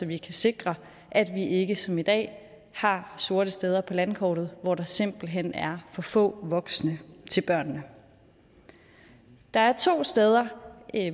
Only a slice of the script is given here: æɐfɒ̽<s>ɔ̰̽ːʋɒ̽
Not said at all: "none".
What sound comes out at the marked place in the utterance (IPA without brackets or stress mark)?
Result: f